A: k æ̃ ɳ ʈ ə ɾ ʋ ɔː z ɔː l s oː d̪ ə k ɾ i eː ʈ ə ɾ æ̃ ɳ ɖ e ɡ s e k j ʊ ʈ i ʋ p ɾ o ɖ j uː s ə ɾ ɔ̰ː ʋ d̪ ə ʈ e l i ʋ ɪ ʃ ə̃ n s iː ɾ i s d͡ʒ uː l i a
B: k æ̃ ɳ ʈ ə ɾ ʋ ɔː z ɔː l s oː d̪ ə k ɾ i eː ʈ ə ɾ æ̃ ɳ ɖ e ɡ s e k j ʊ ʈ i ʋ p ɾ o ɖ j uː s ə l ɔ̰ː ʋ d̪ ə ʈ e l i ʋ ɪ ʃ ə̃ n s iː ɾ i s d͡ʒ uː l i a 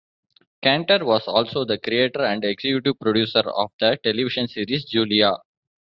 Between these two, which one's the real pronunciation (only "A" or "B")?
A